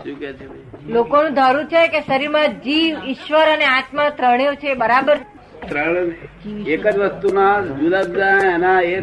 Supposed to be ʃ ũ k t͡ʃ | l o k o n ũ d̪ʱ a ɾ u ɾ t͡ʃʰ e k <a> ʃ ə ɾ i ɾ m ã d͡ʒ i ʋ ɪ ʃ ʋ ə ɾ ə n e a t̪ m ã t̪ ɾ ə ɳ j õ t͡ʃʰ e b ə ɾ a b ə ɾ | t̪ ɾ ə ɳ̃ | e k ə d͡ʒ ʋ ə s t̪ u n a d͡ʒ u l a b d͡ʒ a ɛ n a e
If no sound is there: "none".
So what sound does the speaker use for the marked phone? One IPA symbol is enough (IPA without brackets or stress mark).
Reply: e